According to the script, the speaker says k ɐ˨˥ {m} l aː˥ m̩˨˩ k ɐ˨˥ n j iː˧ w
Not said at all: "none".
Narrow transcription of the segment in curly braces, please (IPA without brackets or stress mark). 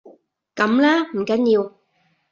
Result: m